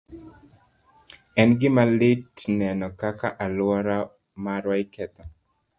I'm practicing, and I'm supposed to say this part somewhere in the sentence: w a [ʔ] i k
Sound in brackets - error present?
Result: yes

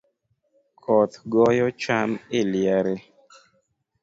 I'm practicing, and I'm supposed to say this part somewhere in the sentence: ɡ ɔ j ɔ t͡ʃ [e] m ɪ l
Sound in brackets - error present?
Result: yes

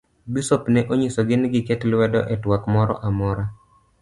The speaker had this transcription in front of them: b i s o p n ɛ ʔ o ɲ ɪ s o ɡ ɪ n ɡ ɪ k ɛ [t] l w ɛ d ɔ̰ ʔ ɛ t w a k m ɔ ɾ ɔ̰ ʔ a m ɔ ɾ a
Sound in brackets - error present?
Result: no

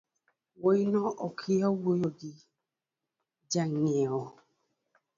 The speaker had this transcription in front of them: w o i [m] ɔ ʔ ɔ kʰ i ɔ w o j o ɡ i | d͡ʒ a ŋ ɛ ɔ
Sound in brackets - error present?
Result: yes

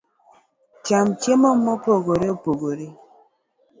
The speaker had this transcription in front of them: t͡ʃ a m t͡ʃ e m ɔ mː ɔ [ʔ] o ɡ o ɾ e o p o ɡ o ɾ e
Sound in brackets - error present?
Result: yes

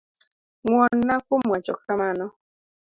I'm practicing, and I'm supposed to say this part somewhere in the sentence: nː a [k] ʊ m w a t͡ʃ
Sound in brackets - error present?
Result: no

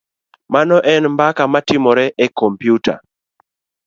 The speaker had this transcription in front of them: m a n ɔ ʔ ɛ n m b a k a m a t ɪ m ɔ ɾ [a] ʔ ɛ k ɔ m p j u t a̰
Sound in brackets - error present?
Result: yes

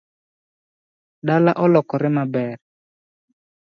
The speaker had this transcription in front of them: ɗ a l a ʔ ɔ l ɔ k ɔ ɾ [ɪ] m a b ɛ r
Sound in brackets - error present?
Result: no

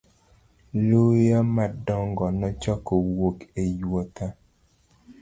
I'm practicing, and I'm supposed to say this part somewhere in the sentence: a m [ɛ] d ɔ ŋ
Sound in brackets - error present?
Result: yes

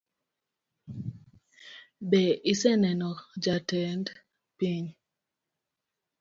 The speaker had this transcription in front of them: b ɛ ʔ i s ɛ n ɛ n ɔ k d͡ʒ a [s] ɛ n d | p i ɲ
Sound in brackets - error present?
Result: yes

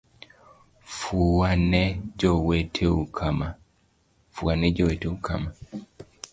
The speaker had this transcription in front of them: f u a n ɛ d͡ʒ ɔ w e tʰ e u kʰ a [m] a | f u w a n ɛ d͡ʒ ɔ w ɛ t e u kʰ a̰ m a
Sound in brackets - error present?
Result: no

